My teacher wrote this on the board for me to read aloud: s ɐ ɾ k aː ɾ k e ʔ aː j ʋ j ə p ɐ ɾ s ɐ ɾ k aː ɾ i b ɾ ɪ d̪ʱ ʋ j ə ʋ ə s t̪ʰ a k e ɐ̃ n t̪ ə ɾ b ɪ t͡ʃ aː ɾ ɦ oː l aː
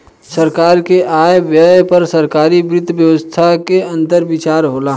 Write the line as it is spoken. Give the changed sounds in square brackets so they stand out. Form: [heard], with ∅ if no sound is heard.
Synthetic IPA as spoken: s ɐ ɾ k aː ɾ k e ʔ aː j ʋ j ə p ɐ ɾ s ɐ ɾ k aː ɾ i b ɾ ɪ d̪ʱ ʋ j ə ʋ ə s t̪ʰ a k e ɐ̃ n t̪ ə ɾ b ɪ t͡ʃ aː ɾ ɦ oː l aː

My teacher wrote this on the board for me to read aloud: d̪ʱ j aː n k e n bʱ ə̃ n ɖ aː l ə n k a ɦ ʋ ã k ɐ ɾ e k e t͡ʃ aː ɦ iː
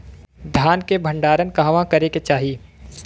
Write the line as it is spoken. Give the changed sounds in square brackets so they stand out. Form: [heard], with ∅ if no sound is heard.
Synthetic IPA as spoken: d̪ʱ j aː n k e [∅] bʱ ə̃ [ɳ] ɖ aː [ɾ] ə n k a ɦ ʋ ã k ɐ ɾ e k e t͡ʃ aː ɦ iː

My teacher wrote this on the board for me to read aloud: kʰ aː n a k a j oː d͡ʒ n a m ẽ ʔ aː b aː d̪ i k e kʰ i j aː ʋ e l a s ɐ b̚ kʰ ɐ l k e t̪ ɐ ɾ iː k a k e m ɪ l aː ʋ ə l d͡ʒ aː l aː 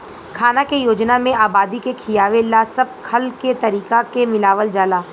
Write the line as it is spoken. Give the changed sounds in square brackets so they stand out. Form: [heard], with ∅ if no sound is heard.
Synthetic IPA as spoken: kʰ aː n a k [e] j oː d͡ʒ n a m ẽ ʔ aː b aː d̪ i k e kʰ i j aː ʋ e l a s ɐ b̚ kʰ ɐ l k e t̪ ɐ ɾ iː k a k e m ɪ l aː ʋ ə l d͡ʒ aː l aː

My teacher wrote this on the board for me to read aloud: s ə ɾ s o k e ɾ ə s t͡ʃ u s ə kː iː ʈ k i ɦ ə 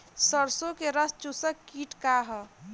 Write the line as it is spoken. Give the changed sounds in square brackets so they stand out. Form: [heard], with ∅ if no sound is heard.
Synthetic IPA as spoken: s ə ɾ s o k e ɾ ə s t͡ʃ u s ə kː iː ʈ k [a] ɦ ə

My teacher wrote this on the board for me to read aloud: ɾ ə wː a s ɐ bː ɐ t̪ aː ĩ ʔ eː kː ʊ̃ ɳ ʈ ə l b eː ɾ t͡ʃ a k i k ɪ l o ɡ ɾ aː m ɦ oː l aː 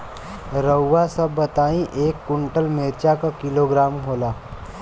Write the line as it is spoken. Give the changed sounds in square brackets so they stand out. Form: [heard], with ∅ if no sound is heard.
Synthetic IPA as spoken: ɾ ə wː a s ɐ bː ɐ t̪ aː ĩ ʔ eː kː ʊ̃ ɳ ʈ ə l [m] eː ɾ t͡ʃ a k [a] k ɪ l o ɡ ɾ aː m ɦ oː l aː

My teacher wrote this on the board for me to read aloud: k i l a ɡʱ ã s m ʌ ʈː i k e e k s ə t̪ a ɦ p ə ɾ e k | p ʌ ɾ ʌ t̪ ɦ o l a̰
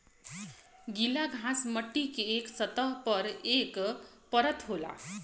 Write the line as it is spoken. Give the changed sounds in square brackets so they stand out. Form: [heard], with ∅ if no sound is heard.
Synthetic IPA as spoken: [ɡ] i l a ɡʱ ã s m ʌ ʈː i k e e k s [ʌ] t̪ [ʌ] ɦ p [ʌ] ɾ e k | p ʌ ɾ ʌ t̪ ɦ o l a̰

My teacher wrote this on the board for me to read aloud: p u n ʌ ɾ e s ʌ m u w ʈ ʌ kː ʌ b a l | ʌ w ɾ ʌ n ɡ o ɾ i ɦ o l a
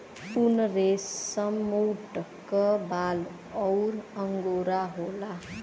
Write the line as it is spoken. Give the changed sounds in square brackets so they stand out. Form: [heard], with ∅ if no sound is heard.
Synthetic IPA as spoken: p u n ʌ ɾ e s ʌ m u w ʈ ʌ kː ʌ b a l | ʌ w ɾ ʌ [ŋ] ɡ o ɾ [a] ɦ o l a

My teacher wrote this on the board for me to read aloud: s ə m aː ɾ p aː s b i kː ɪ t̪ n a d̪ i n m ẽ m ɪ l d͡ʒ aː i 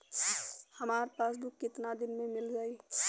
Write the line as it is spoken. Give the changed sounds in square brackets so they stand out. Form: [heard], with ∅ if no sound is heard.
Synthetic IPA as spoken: [h] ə m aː ɾ p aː s b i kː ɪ t̪ n a d̪ [ɪ] n m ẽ m ɪ l d͡ʒ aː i

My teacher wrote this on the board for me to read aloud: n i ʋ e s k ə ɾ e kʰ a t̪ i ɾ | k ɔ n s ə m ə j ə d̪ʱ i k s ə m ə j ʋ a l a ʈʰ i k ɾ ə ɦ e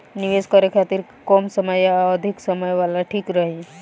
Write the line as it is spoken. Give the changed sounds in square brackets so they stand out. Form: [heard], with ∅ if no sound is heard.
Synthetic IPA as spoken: n i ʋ e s k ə ɾ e kʰ a t̪ i ɾ | k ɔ [m] s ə m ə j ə d̪ʱ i k s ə m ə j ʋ a l a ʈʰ i k ɾ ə ɦ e

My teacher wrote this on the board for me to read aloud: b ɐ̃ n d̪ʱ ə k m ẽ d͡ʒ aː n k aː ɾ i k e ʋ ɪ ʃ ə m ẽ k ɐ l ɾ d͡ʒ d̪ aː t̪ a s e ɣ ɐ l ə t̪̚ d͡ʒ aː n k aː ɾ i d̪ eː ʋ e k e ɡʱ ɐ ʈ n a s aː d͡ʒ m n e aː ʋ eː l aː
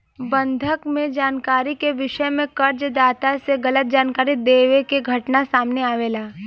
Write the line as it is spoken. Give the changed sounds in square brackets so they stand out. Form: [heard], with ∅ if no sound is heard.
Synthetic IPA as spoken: b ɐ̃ n d̪ʱ ə k m ẽ d͡ʒ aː n k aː ɾ i k e ʋ ɪ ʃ ə m ẽ k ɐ [∅] ɾ d͡ʒ d̪ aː t̪ a s e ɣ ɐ l ə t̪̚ d͡ʒ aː n k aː ɾ i d̪ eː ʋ e k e ɡʱ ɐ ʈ n a s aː [∅] m n e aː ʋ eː l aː

